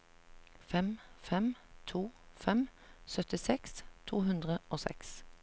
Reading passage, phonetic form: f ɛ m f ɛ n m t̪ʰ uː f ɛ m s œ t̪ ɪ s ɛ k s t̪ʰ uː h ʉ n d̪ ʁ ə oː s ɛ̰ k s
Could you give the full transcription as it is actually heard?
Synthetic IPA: f ɛ m f ɛ m t̪ʰ uː f ɛ m s œ t̪ ɪ s ɛ k s t̪ʰ uː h ʉ n d̪ ʁ ə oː s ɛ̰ k s